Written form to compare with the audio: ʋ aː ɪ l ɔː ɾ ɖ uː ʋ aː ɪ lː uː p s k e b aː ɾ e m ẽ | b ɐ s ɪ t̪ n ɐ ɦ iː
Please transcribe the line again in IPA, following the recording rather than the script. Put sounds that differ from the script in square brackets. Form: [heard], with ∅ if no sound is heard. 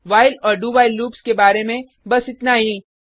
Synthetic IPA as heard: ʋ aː ɪ l ɔː ɾ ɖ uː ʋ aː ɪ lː uː p s k e b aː ɾ e m ẽ | b ɐ s ɪ t̪ n [a] ɦ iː